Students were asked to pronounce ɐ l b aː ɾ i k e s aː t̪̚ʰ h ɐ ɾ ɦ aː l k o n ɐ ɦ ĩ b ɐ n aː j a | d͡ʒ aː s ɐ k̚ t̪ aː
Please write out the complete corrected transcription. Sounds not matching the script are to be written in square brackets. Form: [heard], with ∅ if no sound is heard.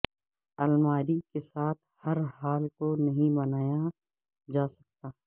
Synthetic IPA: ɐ l [m] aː ɾ i k e s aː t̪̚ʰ h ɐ ɾ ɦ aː l k o n ɐ ɦ ĩ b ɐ n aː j a | d͡ʒ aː s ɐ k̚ t̪ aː